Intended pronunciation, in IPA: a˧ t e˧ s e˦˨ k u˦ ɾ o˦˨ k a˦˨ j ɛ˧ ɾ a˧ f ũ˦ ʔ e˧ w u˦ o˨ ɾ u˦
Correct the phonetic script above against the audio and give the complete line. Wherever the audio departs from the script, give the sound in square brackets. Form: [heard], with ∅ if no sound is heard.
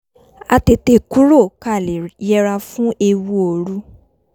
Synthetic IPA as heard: a˧ t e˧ [t] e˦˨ k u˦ ɾ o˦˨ k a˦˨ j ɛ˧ ɾ a˧ f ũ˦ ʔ e˧ w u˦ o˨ ɾ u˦